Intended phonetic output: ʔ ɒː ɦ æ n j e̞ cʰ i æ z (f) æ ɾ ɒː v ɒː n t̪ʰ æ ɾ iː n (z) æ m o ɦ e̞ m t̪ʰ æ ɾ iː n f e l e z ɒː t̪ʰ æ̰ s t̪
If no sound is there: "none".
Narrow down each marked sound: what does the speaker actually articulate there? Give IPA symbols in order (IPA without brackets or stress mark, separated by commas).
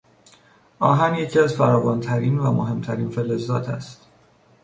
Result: f, v